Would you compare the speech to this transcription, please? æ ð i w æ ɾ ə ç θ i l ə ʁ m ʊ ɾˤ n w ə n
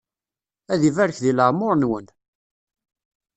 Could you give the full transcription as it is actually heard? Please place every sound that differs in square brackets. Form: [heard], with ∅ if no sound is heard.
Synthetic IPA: æ ð i [v] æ ɾ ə ç [ð] i l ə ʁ m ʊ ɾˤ n w ə n